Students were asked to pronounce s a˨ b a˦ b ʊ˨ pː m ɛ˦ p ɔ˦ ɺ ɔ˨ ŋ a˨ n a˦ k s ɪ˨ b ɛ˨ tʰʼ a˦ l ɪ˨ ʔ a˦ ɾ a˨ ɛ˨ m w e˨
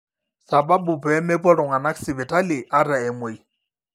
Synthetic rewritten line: s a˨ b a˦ b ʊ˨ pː m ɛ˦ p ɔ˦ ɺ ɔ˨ ŋ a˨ n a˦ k s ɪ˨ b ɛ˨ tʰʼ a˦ l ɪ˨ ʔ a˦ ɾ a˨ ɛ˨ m w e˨